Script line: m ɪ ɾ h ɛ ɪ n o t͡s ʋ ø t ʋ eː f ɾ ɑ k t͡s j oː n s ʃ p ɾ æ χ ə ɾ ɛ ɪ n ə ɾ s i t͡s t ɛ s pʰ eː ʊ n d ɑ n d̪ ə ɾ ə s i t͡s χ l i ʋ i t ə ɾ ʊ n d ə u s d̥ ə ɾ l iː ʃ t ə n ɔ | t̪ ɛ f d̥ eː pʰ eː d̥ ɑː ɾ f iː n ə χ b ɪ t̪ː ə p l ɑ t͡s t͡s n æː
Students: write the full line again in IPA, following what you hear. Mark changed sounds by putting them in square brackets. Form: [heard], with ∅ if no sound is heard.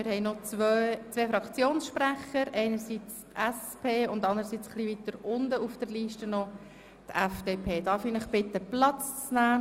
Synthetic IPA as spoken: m ɪ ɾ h ɛ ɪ n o t͡s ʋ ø [t͡s] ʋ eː f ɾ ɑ k t͡s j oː n s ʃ p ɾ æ χ ə ɾ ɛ ɪ n ə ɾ s i t͡s t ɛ s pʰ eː ʊ n d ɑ n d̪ ə ɾ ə s i t͡s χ l i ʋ i t ə ɾ ʊ n d ə u [f] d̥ ə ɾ l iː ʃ t ə n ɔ | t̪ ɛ f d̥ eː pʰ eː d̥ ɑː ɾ f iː n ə χ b ɪ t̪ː ə p l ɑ t͡s t͡s n æː